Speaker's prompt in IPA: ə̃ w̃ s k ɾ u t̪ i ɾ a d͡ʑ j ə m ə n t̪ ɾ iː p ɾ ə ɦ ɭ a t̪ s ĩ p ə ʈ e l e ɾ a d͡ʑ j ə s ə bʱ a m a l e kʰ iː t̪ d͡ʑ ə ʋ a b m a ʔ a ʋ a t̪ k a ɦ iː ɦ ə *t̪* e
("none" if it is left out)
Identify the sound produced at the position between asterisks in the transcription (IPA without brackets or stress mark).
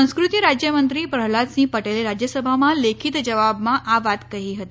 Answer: t̪